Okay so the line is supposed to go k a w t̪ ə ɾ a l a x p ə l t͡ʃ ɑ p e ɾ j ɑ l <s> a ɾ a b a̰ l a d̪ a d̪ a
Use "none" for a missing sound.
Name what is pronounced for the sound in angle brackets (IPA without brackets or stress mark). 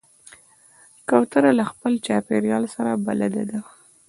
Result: s